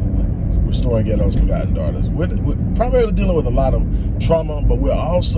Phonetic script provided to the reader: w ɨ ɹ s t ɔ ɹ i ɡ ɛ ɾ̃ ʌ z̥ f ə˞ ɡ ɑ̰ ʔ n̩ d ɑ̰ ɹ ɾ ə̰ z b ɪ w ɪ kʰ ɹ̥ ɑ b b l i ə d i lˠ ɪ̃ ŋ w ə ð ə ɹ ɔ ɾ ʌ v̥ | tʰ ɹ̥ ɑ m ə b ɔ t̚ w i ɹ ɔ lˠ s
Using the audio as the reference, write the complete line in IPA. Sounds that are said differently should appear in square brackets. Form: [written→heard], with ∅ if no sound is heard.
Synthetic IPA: w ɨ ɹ s t ɔ ɹ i ɡ ɛ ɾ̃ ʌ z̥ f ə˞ ɡ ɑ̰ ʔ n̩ d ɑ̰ ɹ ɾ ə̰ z [b→w] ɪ w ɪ [kʰ→pʰ] ɹ̥ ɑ b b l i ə d i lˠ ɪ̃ ŋ w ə ð ə [ɹ→l] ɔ ɾ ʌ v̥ | tʰ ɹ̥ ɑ m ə b [ɔ→ʌ] t̚ w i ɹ ɔ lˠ s